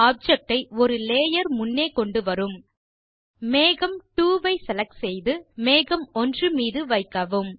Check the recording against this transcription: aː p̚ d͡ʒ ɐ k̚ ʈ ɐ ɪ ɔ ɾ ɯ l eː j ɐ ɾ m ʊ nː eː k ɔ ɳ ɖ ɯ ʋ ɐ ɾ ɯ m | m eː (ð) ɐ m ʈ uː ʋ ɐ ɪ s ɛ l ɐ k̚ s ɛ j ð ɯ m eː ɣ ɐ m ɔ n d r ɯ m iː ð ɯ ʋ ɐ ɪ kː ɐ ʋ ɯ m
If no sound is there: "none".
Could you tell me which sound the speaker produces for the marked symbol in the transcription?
ɣ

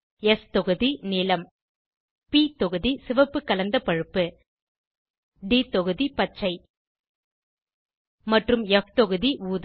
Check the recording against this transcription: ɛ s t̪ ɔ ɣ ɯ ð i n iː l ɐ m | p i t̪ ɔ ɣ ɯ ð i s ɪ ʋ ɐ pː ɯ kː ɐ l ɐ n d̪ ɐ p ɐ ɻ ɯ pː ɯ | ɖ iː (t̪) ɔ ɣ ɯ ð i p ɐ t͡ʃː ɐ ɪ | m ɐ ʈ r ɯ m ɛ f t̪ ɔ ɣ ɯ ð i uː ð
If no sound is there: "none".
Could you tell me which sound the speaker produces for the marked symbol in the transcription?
t̪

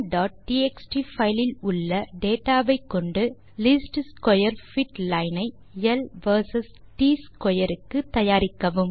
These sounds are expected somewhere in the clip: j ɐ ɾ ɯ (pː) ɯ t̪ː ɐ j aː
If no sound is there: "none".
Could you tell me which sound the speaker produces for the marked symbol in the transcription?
kː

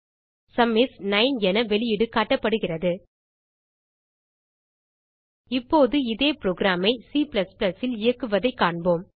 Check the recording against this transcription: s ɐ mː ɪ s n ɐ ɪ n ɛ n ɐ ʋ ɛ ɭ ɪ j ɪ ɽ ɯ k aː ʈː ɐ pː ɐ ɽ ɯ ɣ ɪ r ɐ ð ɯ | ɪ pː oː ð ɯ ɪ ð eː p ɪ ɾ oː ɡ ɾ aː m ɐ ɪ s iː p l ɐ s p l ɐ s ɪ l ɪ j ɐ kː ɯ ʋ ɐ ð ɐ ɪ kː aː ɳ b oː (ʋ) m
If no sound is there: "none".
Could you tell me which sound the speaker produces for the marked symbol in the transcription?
none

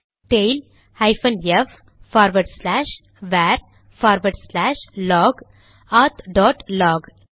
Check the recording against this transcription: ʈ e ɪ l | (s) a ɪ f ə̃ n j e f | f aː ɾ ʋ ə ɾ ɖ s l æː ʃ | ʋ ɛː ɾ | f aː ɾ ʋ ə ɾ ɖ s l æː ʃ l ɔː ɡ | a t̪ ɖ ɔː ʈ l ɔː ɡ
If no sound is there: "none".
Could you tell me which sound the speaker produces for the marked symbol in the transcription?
h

